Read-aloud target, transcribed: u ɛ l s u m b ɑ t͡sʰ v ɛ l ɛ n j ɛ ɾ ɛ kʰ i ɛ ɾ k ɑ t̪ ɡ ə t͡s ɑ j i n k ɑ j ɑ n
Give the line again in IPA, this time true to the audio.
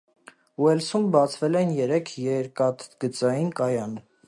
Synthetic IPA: u ɛ l s u m b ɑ t͡sʰ v ɛ l ɛ n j ɛ ɾ ɛ kʰ j ɛ ɾ k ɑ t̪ ɡ ə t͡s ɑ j i n k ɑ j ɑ n